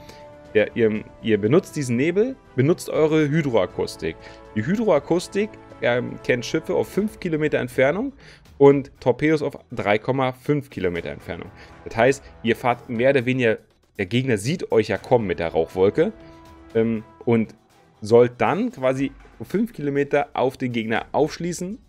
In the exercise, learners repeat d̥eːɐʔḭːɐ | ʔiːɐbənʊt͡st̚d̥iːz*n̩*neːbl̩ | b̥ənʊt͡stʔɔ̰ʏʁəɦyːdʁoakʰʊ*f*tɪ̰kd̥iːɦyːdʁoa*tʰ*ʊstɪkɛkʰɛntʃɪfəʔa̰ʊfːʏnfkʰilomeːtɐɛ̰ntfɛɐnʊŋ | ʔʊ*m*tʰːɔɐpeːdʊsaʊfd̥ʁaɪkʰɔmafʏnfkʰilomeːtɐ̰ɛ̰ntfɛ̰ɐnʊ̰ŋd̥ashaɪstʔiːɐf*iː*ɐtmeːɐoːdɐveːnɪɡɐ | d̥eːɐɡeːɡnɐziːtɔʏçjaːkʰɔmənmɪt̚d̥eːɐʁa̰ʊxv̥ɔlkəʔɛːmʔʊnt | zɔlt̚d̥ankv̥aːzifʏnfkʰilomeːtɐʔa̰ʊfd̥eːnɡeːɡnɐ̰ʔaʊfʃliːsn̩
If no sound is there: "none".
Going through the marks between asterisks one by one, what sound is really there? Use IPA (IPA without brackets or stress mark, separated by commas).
n̩, s, kʰ, n, aː